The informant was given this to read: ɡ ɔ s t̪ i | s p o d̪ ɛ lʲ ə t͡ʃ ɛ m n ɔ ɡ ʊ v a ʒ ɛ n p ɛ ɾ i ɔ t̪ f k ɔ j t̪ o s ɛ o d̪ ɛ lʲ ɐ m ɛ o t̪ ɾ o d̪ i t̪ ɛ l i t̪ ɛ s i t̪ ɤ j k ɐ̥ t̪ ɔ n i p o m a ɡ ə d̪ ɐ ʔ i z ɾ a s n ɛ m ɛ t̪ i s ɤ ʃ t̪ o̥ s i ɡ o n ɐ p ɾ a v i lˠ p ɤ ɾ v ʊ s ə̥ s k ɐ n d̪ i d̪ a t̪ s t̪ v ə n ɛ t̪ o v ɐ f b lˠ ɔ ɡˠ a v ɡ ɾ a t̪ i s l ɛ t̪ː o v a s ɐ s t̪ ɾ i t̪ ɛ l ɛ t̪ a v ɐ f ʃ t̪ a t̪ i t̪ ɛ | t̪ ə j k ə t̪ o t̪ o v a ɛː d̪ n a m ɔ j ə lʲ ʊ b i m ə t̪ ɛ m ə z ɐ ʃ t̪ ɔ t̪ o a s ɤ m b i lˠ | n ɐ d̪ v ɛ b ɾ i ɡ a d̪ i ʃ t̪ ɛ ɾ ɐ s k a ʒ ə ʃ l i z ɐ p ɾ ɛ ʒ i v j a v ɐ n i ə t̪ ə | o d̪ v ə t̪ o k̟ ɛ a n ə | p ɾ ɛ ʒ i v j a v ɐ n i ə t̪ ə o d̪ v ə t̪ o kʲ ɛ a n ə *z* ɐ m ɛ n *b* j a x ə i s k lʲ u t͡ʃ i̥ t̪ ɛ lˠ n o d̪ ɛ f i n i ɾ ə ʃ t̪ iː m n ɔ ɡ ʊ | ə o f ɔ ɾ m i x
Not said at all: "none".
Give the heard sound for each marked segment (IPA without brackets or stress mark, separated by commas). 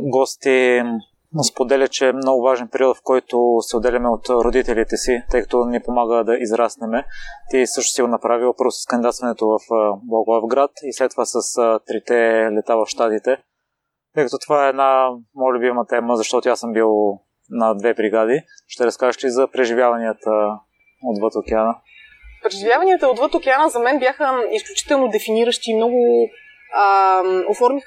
z, b